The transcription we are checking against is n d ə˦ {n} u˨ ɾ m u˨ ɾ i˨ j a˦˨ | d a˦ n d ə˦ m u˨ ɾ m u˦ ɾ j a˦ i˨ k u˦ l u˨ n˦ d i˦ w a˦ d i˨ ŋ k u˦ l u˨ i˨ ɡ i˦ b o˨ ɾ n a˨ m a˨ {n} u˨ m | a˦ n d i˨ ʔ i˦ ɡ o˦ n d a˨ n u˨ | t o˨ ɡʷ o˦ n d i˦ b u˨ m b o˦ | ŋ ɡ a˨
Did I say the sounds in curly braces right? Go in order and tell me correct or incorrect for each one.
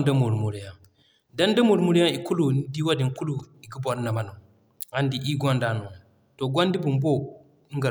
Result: incorrect: m, correct

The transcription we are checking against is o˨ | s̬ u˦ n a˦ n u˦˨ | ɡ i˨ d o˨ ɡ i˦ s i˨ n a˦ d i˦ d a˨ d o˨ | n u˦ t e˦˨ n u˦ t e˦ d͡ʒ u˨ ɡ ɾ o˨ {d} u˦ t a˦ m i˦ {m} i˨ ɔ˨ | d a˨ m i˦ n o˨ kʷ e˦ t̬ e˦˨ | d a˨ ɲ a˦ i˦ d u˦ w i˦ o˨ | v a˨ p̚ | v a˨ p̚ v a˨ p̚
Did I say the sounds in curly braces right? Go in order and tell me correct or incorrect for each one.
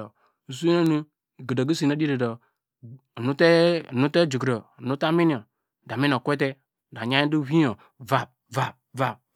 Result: incorrect: n, incorrect: n

